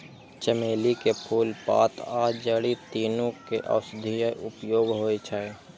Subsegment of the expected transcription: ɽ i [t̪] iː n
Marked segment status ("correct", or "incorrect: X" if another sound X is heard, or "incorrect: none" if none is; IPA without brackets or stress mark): correct